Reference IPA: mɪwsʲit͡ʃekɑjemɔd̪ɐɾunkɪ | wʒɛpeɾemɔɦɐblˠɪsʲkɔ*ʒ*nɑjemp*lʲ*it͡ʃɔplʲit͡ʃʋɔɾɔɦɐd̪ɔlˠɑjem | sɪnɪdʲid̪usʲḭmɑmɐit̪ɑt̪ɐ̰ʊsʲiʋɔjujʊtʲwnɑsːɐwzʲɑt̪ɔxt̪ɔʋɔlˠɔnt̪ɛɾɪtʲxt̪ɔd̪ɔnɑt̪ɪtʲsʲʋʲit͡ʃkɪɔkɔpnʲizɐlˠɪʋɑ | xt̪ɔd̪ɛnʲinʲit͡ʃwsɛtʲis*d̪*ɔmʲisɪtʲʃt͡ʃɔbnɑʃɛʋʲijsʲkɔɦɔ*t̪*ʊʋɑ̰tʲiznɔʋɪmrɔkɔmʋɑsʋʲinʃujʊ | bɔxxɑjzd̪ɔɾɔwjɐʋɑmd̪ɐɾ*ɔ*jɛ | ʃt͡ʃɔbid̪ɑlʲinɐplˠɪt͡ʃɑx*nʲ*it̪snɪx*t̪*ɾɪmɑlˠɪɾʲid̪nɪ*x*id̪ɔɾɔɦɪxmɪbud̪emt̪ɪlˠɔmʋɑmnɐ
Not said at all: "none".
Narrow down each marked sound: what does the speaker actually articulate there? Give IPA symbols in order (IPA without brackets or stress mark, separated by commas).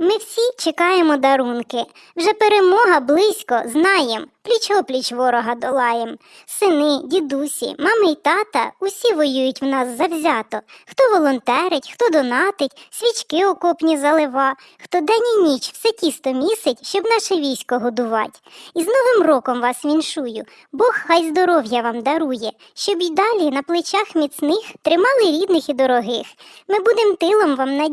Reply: z, lʲ, t̪, d̪, u, mʲ, t̪, x